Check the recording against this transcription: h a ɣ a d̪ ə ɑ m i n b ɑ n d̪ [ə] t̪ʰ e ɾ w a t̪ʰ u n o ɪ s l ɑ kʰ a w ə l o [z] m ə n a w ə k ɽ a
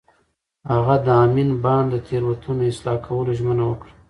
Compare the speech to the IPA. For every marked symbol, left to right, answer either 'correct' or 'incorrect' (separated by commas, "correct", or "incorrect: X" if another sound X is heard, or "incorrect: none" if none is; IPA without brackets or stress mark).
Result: correct, incorrect: ʒ